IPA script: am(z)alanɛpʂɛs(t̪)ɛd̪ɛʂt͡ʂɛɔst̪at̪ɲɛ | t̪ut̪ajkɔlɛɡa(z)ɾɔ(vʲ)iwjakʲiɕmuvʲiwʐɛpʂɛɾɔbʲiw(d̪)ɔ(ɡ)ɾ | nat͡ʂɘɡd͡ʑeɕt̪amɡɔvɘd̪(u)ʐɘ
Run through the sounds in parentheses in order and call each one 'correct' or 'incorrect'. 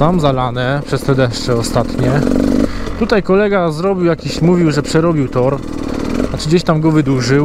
correct, correct, correct, incorrect: bʲ, incorrect: t̪, incorrect: none, correct

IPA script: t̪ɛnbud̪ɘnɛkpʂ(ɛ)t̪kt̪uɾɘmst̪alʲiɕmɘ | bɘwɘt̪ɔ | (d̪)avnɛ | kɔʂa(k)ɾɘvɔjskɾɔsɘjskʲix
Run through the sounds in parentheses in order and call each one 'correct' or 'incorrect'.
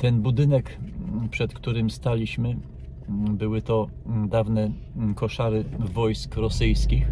correct, correct, incorrect: none

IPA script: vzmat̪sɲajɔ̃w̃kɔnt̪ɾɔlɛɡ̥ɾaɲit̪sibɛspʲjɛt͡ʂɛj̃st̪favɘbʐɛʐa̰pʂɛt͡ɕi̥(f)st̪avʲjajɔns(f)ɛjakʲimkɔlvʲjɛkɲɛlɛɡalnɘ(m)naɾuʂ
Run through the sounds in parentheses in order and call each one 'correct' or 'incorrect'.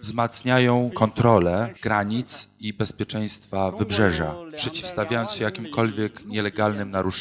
correct, incorrect: ɕ, correct

